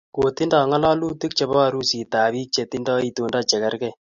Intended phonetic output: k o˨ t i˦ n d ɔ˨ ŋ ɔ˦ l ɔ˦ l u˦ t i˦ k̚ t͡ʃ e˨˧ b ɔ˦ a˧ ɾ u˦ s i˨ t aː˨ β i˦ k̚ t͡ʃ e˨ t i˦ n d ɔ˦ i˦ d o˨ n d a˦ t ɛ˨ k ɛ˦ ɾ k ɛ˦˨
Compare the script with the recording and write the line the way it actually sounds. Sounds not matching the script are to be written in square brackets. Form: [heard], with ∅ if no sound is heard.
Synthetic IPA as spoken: k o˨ t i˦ n d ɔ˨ ŋ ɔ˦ l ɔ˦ l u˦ t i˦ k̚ t͡ʃ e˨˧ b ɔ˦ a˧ ɾ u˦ s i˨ t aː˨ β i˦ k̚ t͡ʃ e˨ t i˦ n d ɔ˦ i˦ [t] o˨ n d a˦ [t͡ʃ] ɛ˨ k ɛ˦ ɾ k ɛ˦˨